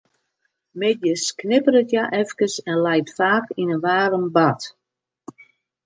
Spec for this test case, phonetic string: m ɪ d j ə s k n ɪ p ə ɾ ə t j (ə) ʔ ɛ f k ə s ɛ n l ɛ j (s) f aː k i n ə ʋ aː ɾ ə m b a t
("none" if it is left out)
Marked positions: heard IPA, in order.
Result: a, t

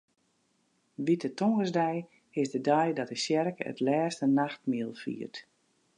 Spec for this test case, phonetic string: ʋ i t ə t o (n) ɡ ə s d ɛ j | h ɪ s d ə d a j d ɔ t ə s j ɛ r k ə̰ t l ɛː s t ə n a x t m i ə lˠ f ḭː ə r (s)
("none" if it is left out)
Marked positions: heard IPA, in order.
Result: ŋ, t

